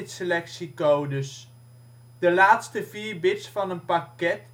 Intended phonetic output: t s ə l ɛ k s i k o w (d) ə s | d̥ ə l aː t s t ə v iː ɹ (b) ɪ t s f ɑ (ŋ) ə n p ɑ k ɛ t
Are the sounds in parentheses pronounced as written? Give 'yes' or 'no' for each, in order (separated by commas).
yes, yes, no